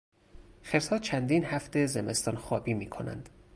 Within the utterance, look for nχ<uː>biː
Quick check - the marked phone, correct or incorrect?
incorrect: ɒː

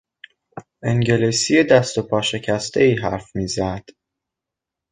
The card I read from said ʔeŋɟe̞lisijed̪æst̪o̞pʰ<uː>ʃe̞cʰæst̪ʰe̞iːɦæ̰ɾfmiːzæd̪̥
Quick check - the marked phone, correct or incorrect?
incorrect: ɒː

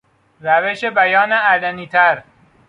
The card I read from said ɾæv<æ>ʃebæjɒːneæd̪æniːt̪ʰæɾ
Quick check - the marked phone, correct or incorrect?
incorrect: e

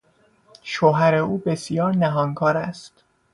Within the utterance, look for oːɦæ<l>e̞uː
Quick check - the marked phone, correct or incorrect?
incorrect: ɾ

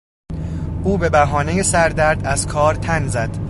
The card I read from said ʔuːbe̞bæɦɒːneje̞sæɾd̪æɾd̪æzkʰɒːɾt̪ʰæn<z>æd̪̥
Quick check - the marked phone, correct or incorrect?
correct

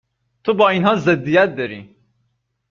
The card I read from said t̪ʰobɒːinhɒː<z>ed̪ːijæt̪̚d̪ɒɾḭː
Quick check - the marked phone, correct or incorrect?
correct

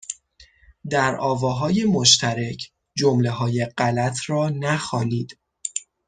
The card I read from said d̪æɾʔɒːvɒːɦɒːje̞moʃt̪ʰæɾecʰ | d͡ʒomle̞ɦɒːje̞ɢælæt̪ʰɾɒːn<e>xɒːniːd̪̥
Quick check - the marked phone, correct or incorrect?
incorrect: æ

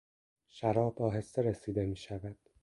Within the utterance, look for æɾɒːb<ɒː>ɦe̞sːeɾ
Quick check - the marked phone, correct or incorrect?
correct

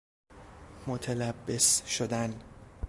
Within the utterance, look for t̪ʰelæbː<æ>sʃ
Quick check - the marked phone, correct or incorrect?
incorrect: e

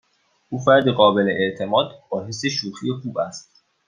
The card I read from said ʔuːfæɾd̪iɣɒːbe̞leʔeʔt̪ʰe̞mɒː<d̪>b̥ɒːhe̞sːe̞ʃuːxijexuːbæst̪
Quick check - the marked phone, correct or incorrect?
correct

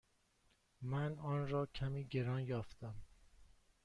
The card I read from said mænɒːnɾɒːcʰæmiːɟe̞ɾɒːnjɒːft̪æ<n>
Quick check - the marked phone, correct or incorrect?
incorrect: m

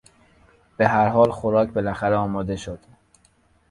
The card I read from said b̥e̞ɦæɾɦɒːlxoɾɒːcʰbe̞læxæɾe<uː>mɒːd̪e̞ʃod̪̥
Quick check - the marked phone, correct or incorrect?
incorrect: ɒː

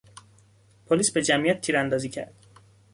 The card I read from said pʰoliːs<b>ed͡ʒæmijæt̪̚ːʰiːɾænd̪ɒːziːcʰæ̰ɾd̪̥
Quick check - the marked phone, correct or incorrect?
correct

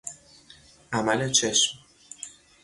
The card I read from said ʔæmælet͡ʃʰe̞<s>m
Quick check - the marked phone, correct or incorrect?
incorrect: ʃ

